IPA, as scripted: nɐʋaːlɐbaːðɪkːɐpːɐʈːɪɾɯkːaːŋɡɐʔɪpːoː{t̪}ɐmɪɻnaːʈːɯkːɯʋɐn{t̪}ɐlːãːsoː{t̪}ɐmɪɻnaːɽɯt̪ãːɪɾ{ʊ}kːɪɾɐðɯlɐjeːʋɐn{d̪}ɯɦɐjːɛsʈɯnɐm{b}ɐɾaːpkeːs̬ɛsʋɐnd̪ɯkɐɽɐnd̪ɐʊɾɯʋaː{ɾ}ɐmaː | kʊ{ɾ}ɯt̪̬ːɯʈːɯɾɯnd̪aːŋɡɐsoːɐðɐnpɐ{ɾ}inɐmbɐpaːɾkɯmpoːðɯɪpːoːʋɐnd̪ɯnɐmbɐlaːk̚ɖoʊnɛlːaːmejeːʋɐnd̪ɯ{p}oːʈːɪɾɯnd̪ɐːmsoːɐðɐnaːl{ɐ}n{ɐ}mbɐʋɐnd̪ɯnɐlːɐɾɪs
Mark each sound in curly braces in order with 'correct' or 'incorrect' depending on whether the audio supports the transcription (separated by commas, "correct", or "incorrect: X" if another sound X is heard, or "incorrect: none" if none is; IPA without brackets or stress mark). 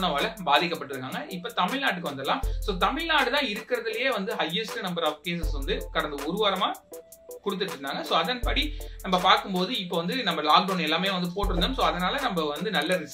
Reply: correct, incorrect: d̪, correct, incorrect: ɯ, correct, correct, correct, incorrect: ɽ, incorrect: ɽ, correct, correct, correct